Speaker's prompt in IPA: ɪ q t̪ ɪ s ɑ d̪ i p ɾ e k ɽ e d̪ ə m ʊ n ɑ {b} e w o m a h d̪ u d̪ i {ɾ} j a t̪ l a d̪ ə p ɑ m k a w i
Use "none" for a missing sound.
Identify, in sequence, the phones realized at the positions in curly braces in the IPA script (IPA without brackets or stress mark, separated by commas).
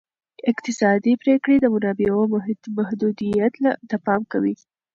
b, none